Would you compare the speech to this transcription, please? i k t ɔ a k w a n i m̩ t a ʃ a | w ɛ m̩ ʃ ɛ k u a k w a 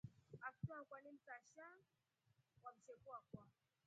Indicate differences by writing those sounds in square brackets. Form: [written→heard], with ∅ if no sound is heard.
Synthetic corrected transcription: [i→a] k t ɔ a k w a n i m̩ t a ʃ a | w [ɛ→a] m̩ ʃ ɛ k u a k w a